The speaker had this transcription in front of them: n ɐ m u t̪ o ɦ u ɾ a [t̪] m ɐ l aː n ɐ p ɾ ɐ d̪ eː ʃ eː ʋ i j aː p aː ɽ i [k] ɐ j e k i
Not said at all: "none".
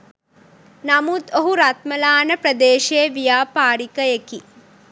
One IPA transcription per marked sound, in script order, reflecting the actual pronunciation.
t̪, k

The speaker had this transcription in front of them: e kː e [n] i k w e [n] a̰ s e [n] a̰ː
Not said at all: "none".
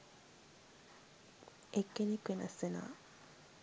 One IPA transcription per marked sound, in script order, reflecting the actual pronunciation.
n, n, n

